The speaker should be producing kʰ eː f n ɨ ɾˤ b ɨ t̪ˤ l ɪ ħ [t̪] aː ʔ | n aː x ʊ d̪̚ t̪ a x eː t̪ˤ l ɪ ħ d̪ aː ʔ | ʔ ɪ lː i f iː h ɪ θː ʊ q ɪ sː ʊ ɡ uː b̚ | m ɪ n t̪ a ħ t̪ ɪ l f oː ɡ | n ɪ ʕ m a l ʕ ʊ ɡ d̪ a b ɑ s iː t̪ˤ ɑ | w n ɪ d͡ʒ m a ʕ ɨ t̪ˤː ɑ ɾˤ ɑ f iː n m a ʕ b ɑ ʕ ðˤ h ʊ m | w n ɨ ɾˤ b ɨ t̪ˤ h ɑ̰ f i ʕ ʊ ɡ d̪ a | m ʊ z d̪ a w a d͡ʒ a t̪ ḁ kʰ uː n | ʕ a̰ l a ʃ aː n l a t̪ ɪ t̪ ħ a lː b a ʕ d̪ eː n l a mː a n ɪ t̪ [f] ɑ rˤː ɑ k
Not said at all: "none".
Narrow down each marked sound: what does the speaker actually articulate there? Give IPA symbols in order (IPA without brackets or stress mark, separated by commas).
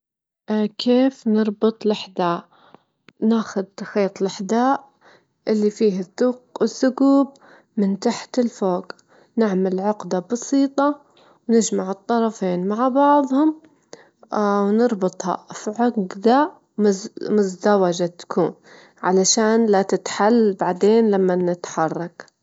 d̪, ħ